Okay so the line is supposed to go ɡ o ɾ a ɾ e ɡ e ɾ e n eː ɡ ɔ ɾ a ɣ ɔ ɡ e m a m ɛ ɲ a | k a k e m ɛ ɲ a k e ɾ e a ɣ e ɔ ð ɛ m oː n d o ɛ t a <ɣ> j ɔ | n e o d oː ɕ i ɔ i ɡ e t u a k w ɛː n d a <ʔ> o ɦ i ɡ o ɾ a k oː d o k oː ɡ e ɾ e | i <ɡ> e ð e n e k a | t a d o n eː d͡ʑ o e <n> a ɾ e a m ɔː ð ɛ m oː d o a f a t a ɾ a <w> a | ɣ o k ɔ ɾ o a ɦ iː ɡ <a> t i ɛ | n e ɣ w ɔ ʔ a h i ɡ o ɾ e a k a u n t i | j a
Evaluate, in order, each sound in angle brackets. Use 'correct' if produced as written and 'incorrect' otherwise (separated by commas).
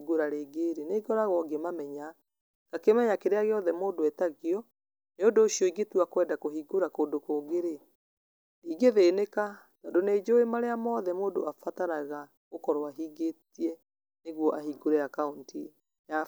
correct, incorrect, correct, incorrect, incorrect, incorrect